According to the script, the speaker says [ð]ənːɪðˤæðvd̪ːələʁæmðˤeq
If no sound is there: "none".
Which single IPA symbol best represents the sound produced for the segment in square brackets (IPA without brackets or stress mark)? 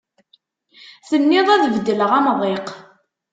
θ